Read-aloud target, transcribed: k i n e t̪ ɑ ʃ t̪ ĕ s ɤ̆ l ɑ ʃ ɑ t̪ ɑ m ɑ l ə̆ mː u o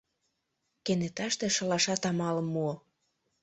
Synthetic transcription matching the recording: k e n e t̪ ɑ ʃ t̪ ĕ ʃ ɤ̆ l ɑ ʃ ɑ t̪ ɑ m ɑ l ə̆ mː u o

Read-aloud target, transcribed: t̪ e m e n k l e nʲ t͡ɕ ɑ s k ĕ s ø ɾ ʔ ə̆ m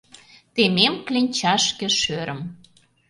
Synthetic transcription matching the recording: t̪ e m e m k l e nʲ t͡ɕ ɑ ʃ k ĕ ʃ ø ɾ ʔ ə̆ m

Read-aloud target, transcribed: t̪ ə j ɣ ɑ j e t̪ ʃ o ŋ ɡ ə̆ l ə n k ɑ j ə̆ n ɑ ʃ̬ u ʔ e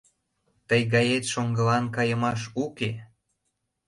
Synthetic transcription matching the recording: t̪ ə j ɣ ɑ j e t̪ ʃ o ŋ ɡ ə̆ l ɑ n k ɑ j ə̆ m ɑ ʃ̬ u k e

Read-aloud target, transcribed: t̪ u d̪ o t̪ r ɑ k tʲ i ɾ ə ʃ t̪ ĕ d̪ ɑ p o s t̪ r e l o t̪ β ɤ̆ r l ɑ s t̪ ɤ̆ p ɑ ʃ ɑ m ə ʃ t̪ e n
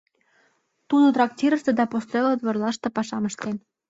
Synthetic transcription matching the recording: t̪ u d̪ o t̪ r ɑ k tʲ i ɾ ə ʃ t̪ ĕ d̪ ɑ p o s t̪ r e l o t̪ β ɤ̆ r l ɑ ʃ t̪ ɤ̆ p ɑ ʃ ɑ m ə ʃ t̪ e n

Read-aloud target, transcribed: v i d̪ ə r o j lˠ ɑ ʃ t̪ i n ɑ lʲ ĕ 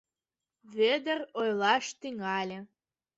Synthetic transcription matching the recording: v e d̪ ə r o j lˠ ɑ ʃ t̪ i ŋ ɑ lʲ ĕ

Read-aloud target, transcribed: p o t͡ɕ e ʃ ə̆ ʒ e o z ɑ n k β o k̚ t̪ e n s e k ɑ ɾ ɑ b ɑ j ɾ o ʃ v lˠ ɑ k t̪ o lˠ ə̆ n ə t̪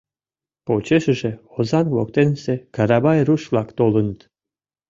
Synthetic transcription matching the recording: p o t͡ɕ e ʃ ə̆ ʒ e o z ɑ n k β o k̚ t̪ e n s e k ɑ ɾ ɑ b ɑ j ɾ u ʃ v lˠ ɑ k t̪ o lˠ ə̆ n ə t̪

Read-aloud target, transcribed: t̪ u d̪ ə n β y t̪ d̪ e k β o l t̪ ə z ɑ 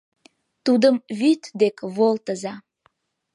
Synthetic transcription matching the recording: t̪ u d̪ ə m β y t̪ d̪ e k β o l t̪ ə z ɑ

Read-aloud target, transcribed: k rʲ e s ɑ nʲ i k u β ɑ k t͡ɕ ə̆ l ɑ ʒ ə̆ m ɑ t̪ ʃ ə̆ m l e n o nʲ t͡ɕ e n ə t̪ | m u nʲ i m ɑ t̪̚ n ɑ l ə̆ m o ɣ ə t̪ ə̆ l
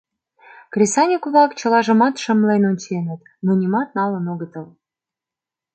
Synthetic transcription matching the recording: k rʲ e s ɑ nʲ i k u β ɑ k t͡ɕ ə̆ l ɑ ʒ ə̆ m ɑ t̪ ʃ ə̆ m l e n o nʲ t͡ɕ e n ə t̪ | m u nʲ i m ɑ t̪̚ n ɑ l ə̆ n o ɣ ə t̪ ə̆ l

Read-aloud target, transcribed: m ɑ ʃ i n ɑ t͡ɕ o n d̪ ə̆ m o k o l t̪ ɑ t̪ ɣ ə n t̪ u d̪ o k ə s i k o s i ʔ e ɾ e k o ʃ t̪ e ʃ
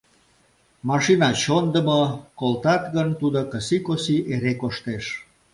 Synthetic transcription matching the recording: m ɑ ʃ i n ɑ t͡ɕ o n d̪ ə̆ m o k o l t̪ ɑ t̪ ɣ ə n t̪ u d̪ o k ə s i k o s i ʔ e ɾ e k o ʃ t̪ e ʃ

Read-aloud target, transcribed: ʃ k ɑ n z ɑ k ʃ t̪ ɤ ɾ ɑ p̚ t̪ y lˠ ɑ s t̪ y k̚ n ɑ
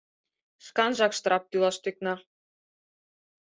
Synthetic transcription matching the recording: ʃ k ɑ n ʒ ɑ k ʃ t̪ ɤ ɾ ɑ p̚ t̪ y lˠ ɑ ʃ t̪ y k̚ n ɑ

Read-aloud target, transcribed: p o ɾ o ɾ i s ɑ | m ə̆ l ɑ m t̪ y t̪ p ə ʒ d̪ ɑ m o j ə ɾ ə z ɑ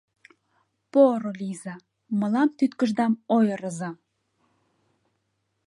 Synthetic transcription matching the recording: p o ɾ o l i z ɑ | m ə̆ l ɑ m t̪ y t̪ k ə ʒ d̪ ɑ m o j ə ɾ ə z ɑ

